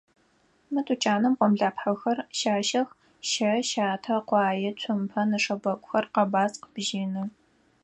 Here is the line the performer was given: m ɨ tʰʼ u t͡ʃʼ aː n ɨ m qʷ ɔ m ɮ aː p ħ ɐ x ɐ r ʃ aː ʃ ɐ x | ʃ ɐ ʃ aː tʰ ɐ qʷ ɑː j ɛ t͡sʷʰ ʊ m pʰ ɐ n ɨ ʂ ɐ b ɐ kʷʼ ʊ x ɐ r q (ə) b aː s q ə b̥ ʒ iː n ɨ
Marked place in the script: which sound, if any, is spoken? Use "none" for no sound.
ɐ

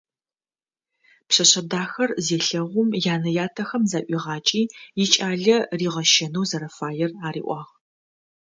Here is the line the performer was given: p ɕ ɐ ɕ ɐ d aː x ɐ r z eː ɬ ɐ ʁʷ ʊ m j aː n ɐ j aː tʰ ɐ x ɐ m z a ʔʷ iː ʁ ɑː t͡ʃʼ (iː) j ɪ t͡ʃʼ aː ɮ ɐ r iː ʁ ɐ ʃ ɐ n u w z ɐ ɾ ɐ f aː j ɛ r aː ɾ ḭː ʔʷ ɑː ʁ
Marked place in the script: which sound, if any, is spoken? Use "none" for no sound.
iː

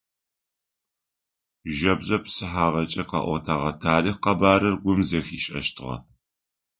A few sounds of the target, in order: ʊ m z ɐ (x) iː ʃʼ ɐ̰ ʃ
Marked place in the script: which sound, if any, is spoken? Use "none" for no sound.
x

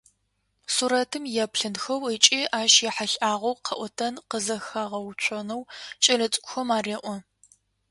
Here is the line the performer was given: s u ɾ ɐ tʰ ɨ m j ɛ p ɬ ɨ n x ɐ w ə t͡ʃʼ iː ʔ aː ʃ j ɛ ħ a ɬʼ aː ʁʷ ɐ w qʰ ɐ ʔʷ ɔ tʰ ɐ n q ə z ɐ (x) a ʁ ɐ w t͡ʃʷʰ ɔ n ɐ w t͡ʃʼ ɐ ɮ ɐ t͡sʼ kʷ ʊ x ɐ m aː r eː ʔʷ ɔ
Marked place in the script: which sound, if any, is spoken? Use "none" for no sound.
x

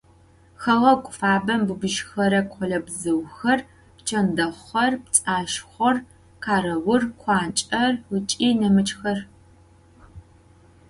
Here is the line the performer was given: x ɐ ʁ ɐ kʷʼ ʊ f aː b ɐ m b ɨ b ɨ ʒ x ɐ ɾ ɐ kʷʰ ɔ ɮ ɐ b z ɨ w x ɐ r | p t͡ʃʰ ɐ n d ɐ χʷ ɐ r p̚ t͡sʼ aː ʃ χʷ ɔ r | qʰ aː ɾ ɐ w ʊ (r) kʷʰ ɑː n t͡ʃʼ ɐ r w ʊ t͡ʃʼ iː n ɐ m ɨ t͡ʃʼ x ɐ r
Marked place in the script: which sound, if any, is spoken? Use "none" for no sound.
r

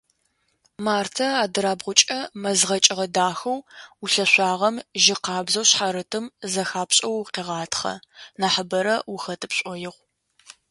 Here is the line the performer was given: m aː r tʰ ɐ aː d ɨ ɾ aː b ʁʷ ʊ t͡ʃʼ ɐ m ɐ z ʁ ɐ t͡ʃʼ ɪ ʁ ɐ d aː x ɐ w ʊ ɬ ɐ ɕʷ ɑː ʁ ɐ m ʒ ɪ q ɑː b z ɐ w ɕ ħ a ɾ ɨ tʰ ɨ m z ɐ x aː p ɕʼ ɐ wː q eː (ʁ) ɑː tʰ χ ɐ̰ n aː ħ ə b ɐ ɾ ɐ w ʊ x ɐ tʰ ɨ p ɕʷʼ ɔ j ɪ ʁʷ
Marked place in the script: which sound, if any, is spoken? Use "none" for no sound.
ʁ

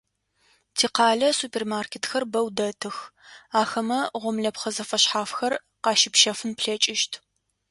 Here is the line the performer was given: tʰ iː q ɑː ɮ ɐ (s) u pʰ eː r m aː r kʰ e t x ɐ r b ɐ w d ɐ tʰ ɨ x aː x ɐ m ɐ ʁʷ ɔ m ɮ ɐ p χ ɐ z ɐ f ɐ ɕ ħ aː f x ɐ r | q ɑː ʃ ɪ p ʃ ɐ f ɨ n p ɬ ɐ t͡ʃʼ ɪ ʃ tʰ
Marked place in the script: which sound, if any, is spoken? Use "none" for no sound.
s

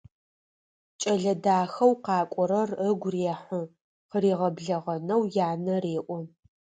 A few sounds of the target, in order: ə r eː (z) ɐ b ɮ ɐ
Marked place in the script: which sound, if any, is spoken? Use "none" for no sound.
ʁ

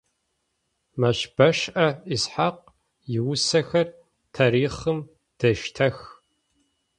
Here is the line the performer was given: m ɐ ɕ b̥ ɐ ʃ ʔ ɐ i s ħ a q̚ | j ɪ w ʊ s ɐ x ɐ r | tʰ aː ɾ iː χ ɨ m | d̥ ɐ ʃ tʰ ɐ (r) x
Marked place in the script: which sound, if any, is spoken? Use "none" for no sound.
none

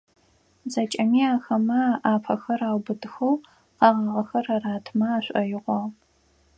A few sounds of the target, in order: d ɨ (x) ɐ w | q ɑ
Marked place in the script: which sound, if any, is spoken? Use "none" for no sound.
x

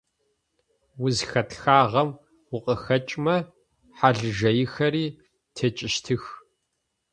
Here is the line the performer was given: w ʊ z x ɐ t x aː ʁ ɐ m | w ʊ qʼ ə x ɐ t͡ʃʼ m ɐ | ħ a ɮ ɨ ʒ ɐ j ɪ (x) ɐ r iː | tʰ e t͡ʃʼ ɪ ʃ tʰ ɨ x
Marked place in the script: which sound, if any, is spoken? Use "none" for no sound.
x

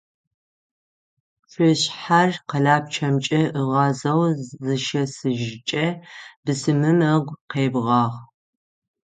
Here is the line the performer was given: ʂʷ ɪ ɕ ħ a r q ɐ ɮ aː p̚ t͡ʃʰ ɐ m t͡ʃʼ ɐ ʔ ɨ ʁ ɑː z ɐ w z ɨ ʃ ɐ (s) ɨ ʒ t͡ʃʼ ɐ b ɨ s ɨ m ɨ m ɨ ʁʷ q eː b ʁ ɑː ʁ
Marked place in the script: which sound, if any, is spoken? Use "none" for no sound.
s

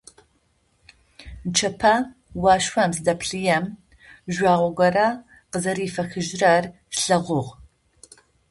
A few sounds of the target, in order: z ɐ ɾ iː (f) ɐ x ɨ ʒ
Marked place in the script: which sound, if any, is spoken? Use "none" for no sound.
f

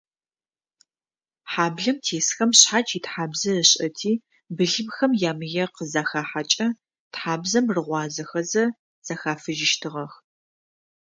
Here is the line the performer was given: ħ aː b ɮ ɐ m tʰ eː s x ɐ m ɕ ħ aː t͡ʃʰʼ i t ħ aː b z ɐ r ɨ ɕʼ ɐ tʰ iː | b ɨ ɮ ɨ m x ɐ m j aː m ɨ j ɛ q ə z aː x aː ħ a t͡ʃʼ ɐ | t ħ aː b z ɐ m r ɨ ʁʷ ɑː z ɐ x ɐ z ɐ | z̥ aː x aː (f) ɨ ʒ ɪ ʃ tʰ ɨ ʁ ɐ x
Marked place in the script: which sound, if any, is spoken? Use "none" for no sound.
f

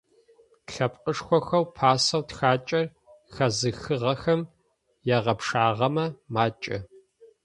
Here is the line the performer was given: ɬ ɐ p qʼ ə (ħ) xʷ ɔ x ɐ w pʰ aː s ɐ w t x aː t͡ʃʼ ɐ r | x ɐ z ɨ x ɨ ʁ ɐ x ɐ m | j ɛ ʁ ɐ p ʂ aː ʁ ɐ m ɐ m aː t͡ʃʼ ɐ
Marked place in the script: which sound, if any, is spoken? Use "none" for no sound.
ʂ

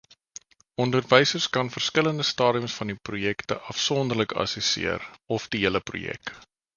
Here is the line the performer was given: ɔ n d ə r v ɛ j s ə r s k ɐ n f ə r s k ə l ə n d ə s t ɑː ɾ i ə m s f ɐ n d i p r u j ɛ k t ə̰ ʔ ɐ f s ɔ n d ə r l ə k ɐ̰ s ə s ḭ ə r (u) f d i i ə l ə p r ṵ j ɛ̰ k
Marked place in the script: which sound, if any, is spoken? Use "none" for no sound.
ɔ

